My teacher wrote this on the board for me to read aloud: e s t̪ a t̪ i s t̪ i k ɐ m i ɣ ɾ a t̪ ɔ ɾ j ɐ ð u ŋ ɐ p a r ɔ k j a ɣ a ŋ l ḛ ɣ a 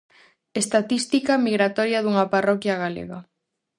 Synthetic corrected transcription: e s t̪ a t̪ i s t̪ i k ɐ m i ɣ ɾ a t̪ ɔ ɾ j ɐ ð u ŋ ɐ p a r ɔ k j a ɣ a l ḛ ɣ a